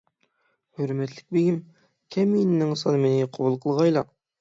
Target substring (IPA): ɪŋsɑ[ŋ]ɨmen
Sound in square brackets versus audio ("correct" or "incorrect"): incorrect